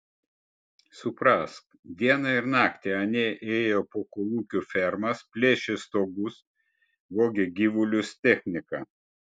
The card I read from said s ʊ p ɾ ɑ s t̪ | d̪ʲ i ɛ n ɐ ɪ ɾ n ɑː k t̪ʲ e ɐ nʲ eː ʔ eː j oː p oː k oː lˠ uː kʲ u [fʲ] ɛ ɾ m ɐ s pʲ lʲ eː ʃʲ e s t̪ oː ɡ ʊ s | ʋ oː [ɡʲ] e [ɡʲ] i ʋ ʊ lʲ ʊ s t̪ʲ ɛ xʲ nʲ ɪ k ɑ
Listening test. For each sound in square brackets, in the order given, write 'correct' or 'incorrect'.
correct, correct, correct

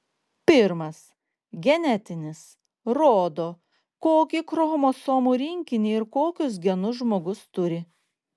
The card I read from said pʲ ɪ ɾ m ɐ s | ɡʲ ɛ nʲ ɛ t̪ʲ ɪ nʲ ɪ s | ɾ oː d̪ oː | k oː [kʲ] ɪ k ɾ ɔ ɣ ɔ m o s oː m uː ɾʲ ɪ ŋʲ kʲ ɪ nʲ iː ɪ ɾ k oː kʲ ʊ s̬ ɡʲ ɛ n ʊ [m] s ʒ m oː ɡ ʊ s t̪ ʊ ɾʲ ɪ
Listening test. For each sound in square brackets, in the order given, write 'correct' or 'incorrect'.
correct, incorrect: none

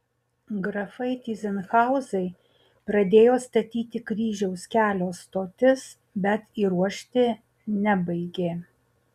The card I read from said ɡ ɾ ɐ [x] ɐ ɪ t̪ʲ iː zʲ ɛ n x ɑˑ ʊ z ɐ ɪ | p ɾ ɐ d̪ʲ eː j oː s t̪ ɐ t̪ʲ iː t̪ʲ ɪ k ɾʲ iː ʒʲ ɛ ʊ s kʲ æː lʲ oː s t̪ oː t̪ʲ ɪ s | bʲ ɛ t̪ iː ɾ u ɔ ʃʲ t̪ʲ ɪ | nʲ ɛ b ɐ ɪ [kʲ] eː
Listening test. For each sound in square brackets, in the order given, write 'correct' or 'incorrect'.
incorrect: f, incorrect: ɡʲ

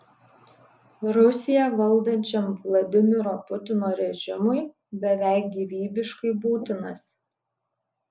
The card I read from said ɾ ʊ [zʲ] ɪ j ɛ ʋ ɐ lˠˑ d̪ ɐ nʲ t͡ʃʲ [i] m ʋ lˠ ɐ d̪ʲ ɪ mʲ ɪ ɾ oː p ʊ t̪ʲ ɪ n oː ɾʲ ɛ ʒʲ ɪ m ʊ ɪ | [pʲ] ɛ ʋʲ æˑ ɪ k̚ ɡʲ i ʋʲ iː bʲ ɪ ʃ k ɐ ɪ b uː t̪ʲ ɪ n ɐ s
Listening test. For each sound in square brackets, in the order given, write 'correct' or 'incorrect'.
incorrect: sʲ, incorrect: ɛ, incorrect: bʲ

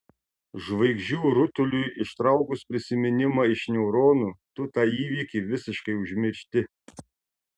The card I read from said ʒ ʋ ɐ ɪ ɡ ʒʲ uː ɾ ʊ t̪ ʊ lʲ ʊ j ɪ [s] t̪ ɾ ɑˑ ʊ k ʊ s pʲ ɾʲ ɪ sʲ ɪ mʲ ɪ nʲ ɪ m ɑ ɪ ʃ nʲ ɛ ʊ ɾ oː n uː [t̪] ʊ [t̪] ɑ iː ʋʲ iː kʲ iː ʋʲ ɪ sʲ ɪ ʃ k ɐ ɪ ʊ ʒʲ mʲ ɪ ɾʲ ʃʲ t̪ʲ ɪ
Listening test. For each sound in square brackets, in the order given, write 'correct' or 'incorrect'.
incorrect: ʃ, correct, correct

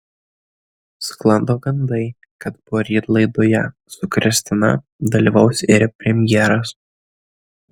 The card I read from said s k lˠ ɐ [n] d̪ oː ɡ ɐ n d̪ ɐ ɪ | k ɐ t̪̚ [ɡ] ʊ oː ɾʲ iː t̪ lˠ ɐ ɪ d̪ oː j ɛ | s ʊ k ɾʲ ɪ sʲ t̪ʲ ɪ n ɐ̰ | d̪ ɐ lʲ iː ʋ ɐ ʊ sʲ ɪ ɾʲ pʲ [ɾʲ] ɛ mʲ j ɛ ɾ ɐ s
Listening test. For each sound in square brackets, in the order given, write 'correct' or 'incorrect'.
correct, incorrect: b, correct

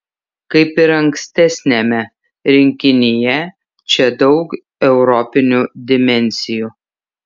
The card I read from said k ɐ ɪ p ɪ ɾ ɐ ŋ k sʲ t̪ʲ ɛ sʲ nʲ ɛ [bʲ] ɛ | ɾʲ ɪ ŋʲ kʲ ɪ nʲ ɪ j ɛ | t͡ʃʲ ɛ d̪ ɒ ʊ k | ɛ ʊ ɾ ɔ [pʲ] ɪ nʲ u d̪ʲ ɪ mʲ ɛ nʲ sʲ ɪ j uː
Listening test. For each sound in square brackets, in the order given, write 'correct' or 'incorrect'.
incorrect: mʲ, correct

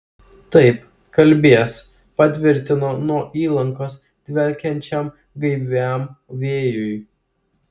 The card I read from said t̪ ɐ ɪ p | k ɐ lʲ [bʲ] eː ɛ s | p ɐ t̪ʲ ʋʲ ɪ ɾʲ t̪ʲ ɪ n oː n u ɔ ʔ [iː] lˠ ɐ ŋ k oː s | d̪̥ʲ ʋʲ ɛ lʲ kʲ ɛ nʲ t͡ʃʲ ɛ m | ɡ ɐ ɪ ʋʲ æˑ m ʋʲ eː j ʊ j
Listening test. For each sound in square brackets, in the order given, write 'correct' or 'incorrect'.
correct, correct

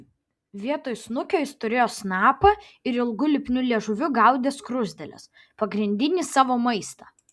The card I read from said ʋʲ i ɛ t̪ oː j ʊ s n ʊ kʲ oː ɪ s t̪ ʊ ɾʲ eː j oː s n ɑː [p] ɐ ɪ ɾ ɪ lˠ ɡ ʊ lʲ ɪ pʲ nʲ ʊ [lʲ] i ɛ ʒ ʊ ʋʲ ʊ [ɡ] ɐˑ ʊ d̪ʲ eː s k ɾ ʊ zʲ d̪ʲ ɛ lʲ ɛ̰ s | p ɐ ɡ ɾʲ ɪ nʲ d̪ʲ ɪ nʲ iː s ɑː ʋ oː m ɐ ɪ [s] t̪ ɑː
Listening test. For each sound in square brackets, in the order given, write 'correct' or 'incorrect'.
correct, correct, correct, correct

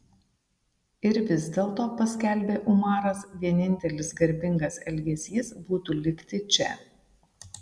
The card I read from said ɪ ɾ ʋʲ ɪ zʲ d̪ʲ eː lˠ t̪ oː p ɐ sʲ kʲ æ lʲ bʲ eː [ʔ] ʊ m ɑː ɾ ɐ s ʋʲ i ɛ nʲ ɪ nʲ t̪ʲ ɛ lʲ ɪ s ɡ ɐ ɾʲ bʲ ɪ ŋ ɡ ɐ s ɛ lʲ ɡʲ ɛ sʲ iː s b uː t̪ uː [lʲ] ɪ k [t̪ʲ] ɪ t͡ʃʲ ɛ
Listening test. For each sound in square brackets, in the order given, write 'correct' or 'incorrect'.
correct, correct, correct

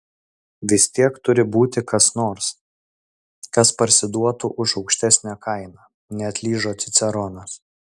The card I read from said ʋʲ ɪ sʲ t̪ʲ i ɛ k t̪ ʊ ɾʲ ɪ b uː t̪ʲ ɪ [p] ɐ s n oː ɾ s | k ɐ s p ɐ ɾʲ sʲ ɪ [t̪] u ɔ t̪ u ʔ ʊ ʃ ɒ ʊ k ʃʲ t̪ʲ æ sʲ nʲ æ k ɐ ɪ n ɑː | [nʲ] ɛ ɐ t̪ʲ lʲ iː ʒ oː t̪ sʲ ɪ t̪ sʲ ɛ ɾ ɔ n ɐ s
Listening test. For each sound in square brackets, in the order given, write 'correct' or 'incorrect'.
incorrect: k, incorrect: d̪, correct

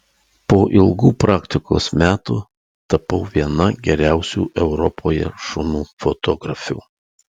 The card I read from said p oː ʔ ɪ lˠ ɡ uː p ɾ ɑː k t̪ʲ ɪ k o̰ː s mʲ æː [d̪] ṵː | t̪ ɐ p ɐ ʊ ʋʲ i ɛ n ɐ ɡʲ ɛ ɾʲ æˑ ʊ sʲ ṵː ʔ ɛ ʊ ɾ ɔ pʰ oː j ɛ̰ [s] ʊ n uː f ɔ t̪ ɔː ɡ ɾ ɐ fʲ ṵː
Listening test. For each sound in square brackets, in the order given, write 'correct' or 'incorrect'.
incorrect: t̪, incorrect: ʃ

